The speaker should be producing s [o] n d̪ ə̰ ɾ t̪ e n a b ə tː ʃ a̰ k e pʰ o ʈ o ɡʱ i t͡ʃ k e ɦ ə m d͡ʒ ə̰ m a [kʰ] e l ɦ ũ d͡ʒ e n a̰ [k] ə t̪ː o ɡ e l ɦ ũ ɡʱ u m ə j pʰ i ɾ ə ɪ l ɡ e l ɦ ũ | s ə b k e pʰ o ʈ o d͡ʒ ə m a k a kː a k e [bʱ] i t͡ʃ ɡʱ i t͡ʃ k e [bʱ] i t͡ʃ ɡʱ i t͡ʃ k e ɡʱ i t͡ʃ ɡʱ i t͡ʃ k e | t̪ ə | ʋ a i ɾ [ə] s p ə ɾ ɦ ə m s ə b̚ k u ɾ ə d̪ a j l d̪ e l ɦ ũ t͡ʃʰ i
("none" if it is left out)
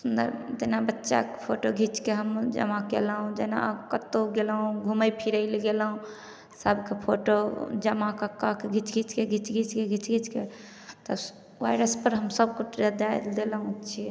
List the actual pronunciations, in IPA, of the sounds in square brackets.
u, k, k, ɡʱ, ɡʱ, ə

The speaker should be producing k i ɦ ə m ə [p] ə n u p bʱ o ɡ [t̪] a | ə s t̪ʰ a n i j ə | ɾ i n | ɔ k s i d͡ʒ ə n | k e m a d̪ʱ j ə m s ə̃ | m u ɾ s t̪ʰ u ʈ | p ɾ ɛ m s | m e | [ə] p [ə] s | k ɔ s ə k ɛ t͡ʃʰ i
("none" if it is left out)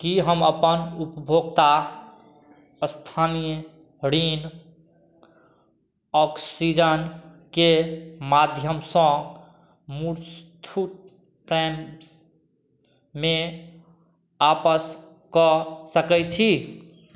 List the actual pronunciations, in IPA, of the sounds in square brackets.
p, t̪, a, ə

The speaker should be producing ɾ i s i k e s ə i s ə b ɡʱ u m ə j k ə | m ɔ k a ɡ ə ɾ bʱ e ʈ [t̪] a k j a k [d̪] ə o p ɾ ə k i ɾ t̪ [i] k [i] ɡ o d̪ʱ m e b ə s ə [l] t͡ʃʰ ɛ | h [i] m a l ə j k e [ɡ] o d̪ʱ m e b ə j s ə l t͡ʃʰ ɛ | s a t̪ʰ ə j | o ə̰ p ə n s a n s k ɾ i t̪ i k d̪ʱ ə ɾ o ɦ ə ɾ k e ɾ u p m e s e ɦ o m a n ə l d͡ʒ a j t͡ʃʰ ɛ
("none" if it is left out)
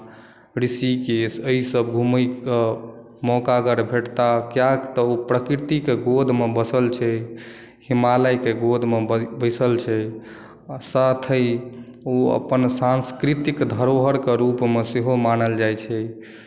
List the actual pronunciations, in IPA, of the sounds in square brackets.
t̪, t̪, i, e, l, i, ɡ

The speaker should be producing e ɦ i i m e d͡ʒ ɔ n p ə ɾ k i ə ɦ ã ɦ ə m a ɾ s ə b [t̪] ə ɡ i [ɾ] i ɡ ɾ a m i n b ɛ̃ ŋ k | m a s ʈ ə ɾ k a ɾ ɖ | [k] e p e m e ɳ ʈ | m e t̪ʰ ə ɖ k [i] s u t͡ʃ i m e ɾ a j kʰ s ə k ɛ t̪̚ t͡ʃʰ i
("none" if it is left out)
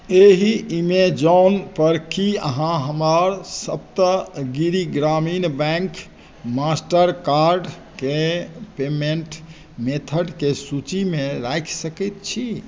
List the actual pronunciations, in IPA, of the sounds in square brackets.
t̪, ɾ, k, e

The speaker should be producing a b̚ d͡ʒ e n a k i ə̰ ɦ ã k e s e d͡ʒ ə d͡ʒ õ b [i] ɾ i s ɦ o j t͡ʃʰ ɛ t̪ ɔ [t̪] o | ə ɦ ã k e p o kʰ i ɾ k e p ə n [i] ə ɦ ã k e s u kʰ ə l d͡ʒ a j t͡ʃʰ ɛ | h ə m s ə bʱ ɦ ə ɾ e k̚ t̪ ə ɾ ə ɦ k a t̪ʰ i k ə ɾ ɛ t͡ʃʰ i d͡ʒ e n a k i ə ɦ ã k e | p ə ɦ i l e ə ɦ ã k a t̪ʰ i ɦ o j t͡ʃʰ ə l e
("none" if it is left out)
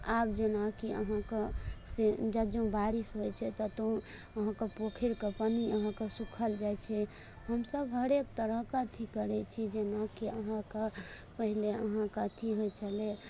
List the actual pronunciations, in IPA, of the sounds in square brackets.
a, t̪, i

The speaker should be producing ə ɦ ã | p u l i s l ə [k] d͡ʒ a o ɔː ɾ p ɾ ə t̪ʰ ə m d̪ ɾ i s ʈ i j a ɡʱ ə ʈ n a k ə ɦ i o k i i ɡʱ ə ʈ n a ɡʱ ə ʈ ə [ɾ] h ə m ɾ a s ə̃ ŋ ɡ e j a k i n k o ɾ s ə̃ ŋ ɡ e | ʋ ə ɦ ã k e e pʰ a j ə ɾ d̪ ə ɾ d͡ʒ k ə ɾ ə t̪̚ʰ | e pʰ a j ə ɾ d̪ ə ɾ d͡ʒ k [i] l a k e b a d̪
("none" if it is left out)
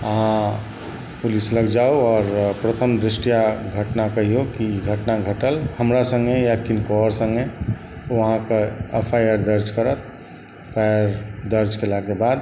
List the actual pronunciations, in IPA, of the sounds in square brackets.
ɡ, l, e

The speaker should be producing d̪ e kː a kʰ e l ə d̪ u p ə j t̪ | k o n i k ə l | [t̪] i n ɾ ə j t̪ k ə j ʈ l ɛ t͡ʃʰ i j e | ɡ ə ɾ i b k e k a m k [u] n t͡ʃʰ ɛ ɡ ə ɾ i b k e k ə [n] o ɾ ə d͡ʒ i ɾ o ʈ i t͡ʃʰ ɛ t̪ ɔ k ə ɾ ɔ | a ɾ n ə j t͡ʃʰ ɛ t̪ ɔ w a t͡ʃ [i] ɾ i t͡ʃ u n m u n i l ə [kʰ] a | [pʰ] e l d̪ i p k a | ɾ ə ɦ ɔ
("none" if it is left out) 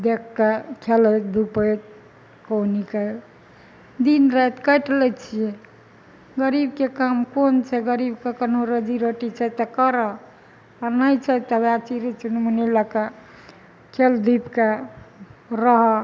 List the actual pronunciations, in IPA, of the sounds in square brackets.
d̪, o, n, i, k, kʰ

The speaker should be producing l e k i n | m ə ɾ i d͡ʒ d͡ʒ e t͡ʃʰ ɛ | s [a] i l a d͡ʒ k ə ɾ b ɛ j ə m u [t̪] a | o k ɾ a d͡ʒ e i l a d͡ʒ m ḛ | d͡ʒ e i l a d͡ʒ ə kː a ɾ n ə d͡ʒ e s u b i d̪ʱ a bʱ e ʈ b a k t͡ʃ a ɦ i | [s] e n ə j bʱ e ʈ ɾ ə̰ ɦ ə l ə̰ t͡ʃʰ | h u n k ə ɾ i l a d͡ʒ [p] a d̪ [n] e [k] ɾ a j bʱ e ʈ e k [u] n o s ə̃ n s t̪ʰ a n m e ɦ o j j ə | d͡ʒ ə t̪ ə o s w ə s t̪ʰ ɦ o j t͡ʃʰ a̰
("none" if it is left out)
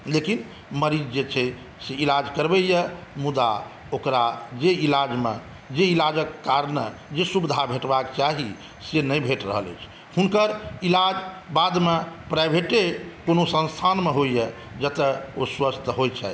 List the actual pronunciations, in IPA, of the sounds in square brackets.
e, d̪, s, b, m, p, o

